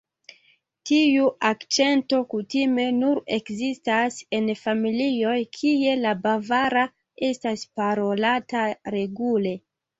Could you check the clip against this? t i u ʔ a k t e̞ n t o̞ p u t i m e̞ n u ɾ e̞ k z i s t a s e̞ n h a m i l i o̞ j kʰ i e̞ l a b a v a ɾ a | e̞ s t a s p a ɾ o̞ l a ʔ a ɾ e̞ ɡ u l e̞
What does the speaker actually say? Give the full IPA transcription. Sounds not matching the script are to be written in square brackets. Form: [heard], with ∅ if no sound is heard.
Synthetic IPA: t i u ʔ a k [t͡ʃ] e̞ n t o̞ [k] u t i m e̞ n u ɾ e̞ k z i s t a s e̞ n [f] a m i l i o̞ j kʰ i e̞ l a b a v a ɾ a | e̞ s t a s p a ɾ o̞ l a [t] a ɾ e̞ ɡ u l e̞